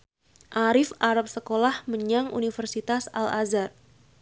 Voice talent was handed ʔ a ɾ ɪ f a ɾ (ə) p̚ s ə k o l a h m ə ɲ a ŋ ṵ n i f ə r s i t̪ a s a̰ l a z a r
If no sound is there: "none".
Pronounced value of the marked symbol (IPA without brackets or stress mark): a